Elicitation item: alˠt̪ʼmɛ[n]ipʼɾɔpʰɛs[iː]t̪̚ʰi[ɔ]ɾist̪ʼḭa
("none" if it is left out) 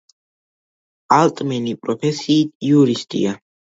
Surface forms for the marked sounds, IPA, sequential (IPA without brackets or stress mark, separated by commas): n, iː, u